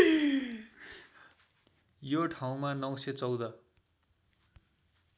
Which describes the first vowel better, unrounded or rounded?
rounded